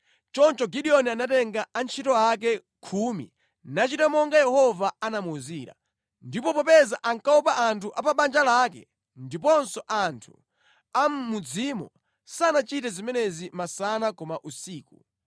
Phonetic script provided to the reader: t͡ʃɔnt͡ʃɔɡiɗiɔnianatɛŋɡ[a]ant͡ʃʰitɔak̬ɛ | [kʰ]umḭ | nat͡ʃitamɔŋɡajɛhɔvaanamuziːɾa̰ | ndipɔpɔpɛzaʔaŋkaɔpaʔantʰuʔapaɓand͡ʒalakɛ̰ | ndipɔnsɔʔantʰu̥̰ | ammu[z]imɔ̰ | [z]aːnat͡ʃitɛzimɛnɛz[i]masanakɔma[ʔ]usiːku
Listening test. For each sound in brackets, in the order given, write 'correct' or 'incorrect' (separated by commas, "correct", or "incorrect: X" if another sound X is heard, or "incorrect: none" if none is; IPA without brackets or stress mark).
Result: correct, correct, incorrect: d͡z, incorrect: s, correct, correct